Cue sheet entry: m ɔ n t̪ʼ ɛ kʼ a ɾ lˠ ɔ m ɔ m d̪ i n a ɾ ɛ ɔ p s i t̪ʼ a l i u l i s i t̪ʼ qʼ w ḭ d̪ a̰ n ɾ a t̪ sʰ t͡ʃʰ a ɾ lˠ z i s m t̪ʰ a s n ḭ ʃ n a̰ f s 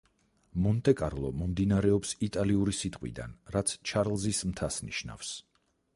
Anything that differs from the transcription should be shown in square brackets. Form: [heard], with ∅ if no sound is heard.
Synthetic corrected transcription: m ɔ n t̪ʼ ɛ kʼ a ɾ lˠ ɔ m ɔ m d̪ i n a ɾ ɛ ɔ p s i t̪ʼ a l i u [ɾ] i s i t̪ʼ qʼ w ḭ d̪ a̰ n ɾ a t̪ sʰ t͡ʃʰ a ɾ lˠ z i s m t̪ʰ a s n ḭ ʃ n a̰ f s